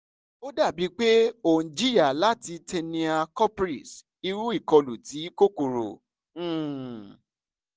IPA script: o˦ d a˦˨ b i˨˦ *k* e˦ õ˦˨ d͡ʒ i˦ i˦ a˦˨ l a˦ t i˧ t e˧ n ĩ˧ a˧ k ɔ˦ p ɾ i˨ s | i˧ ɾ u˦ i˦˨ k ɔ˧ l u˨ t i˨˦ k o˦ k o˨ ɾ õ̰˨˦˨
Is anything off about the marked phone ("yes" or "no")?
yes